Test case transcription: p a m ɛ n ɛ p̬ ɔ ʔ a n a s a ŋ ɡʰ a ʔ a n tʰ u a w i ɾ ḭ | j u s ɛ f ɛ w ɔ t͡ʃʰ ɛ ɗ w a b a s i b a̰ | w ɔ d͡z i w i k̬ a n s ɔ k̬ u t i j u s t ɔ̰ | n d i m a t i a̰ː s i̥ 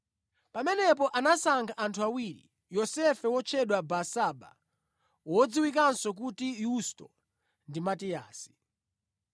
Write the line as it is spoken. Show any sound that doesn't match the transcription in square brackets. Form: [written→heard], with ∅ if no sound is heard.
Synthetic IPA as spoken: p a m ɛ n ɛ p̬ ɔ ʔ a n a s a ŋ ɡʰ a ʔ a n tʰ u a w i ɾ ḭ | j [u→ɔ] s ɛ f ɛ w ɔ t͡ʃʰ ɛ ɗ w a b a s [i→a] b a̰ | w ɔ d͡z i w i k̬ a n s ɔ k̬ u t i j u s t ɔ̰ | n d i m a t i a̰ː s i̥